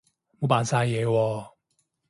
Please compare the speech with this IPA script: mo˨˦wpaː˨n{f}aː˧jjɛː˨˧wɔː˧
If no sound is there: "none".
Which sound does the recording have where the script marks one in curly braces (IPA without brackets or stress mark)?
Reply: s